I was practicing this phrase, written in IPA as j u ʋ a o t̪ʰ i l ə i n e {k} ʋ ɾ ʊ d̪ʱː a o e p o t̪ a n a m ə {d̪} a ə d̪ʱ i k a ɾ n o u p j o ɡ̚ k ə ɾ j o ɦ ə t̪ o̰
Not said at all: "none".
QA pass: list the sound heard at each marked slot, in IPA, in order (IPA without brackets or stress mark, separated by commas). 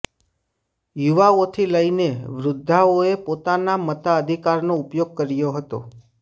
none, t̪